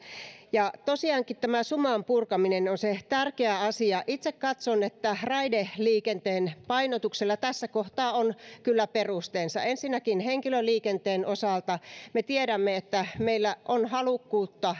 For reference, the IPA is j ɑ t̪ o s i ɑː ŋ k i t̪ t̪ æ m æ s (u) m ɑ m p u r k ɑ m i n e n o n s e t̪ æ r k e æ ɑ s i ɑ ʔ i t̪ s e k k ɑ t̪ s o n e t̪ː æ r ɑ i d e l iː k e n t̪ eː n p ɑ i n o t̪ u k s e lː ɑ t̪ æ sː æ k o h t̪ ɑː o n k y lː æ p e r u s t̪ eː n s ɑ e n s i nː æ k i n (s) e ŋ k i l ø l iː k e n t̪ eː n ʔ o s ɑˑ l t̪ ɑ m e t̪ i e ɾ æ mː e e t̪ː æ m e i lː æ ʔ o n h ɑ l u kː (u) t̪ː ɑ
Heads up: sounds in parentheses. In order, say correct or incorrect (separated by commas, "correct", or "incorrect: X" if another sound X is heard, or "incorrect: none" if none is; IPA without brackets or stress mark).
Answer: correct, incorrect: h, incorrect: uː